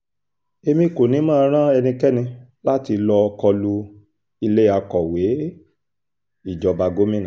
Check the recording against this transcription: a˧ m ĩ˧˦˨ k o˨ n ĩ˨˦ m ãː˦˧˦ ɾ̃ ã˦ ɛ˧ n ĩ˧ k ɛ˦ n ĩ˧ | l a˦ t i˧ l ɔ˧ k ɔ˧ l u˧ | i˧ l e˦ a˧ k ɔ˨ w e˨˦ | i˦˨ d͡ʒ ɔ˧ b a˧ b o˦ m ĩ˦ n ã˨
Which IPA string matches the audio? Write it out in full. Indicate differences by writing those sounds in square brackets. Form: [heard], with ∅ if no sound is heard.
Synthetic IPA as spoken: [e˧] m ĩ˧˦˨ k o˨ n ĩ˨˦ m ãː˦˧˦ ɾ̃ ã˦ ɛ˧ n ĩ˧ k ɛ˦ n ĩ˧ | l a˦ t i˧ l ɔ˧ k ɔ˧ l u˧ | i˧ l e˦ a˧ k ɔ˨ w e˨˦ | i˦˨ d͡ʒ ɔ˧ b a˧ [ɡ] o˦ m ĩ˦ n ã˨